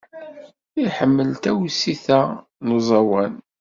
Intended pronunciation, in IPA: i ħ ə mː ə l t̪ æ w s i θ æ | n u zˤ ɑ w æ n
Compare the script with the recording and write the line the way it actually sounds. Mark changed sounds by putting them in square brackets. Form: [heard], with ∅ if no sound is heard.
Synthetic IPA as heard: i ħ ə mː ə l t̪ æ w s i θ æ | n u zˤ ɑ w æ n